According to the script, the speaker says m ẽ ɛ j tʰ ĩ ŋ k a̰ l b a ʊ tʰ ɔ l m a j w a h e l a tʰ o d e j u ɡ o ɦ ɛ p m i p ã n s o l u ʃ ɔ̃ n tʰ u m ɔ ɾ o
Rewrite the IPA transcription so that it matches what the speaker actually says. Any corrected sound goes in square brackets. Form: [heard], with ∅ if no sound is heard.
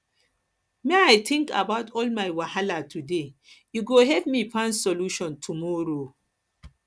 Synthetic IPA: m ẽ [a] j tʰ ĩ ŋ k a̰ [∅] b a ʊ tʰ ɔ l m a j w a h [a] l a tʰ [u] d e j u ɡ o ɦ ɛ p m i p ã n s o l u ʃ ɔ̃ n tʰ u m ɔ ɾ o